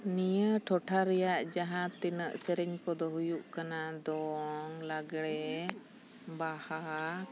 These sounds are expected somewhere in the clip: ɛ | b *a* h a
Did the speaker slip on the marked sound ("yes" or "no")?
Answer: no